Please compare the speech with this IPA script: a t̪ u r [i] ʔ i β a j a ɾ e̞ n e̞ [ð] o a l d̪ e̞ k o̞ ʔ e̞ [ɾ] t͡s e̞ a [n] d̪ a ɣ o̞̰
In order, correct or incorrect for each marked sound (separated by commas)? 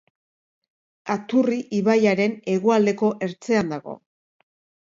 correct, incorrect, correct, correct